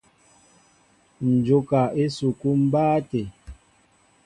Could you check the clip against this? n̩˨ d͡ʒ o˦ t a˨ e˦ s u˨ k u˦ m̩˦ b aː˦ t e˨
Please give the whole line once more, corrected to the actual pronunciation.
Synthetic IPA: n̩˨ d͡ʒ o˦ k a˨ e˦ s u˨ k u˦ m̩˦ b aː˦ t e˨